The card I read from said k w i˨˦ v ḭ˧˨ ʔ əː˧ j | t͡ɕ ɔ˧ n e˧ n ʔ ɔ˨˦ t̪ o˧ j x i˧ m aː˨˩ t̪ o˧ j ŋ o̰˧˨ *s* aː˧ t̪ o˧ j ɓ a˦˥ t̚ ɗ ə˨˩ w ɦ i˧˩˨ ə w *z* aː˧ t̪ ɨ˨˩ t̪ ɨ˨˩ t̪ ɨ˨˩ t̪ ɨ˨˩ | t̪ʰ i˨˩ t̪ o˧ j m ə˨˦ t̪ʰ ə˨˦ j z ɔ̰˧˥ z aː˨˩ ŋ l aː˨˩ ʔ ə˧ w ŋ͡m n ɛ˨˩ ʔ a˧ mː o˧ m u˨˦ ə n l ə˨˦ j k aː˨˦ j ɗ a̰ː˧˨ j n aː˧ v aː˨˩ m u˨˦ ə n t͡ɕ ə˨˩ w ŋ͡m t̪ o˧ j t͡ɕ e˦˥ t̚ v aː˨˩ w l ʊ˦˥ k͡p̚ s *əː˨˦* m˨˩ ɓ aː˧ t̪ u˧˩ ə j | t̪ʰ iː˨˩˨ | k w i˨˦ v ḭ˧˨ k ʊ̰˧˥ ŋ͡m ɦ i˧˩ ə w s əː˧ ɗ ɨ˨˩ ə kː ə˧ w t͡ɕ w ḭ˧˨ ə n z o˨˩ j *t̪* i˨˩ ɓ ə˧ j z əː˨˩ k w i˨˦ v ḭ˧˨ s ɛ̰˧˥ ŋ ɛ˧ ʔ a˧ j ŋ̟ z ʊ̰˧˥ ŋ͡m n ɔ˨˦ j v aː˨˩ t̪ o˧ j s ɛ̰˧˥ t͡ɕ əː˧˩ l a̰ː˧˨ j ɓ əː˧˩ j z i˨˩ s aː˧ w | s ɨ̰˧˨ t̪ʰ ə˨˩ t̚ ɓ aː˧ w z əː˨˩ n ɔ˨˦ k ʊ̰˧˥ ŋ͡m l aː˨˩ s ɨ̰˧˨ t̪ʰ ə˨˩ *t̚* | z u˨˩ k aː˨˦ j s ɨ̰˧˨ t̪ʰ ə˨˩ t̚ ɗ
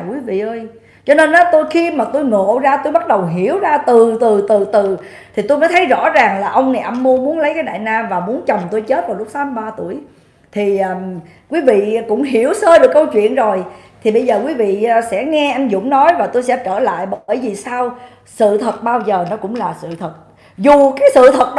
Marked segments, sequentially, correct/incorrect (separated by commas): incorrect, correct, incorrect, incorrect, correct